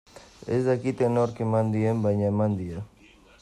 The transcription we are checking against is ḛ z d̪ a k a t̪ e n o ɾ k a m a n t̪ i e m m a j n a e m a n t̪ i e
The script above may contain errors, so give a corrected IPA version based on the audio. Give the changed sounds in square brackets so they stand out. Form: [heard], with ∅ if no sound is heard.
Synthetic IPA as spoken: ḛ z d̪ a k [i] t̪ e n o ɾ k [e] m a n [d̪] i e m [b] a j [ɲ] a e m a n [d̪] i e